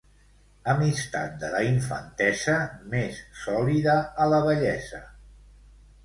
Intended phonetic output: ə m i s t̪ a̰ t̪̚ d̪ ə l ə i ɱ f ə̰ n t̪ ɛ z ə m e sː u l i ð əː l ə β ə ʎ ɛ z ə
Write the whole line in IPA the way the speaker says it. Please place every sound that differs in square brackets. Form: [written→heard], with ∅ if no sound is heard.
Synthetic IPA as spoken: ə m i s t̪ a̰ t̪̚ d̪ ə l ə i ɱ f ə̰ n t̪ ɛ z ə m e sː [u→ɔ] l i ð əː l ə β ə ʎ ɛ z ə